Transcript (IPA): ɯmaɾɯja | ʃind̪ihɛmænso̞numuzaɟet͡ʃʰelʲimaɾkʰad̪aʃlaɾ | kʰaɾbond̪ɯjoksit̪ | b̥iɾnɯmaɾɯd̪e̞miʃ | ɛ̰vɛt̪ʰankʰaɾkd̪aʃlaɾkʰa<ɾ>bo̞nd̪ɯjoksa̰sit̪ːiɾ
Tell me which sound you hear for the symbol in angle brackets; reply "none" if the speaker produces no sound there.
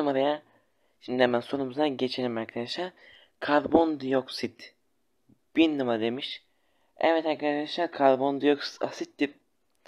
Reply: ɾ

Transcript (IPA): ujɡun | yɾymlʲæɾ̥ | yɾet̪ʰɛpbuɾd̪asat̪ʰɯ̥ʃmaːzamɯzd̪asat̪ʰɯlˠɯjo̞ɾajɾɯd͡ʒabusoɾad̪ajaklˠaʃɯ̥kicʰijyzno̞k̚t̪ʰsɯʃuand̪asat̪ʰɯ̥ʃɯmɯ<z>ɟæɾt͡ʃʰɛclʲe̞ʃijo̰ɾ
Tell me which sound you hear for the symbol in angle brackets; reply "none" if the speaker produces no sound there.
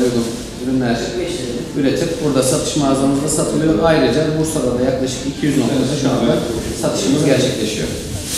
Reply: z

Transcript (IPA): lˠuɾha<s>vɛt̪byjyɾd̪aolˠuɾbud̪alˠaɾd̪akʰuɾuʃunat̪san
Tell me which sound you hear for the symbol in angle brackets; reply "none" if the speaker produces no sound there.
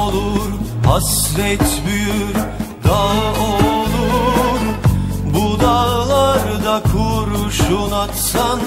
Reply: s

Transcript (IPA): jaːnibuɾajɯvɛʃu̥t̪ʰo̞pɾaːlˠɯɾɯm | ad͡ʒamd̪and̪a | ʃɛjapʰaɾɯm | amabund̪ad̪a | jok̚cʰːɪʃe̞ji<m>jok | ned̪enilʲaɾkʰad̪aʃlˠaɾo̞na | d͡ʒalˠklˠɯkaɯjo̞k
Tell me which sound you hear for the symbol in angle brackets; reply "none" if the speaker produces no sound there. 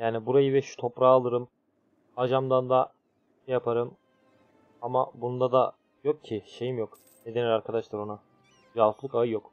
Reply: m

